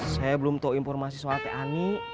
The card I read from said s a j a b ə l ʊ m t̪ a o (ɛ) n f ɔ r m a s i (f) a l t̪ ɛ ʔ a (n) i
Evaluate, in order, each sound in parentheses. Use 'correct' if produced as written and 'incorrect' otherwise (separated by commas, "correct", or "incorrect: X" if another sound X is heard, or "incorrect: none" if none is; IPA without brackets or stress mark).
incorrect: i, incorrect: s, correct